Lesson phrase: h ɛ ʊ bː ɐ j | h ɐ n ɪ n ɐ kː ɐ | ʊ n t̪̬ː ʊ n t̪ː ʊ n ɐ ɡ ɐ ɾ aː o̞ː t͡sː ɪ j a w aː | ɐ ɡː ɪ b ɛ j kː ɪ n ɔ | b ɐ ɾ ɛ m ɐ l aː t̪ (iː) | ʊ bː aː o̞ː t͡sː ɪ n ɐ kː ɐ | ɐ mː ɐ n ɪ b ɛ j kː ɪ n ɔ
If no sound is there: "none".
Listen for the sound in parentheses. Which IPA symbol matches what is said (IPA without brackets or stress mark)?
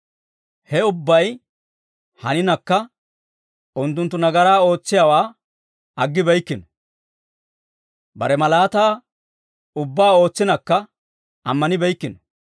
aː